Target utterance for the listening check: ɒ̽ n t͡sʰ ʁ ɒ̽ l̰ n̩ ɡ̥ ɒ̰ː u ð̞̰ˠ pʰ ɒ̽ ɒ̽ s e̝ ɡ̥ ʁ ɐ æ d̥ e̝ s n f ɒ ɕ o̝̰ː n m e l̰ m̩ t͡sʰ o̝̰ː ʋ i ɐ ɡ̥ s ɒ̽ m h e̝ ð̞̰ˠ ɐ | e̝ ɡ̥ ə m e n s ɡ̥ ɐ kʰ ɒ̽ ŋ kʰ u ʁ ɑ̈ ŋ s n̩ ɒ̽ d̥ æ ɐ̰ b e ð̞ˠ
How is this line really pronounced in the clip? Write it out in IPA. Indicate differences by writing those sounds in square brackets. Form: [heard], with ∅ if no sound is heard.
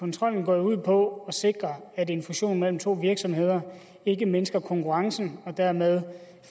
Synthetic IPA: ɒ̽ n t͡sʰ ʁ ɒ̽ l̰ n̩ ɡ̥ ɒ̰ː u ð̞̰ˠ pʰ ɒ̽ ɒ̽ s e̝ ɡ̥ ʁ ɐ æ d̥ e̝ [∅] n f [u] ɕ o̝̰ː n m e l̰ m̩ t͡sʰ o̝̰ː ʋ i ɐ ɡ̥ s ɒ̽ m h e̝ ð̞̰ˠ ɐ | e̝ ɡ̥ ə m e n s ɡ̥ ɐ kʰ ɒ̽ ŋ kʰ u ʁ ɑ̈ ŋ s n̩ ɒ̽ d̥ æ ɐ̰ [m] e ð̞ˠ